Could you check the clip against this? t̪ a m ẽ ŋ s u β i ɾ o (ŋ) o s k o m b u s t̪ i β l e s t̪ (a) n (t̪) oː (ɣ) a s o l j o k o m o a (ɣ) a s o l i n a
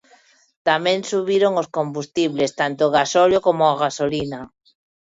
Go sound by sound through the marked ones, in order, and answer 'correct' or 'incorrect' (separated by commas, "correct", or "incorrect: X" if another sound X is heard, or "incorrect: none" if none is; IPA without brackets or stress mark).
correct, correct, correct, correct, correct